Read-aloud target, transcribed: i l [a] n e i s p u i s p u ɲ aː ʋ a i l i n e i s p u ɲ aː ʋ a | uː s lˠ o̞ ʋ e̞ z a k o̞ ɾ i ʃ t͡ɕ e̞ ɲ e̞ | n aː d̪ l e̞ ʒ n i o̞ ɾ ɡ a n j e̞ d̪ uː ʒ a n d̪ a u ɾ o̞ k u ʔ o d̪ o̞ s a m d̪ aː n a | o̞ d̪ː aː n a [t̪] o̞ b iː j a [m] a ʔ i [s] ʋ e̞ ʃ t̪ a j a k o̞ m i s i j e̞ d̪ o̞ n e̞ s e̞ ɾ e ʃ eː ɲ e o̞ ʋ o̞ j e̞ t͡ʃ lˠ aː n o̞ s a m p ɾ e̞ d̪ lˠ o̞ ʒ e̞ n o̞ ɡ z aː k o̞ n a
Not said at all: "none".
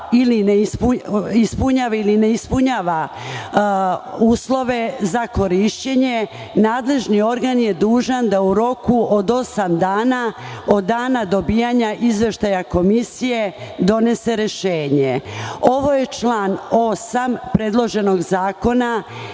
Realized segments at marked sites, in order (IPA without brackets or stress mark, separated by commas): i, d̪, ɲ, z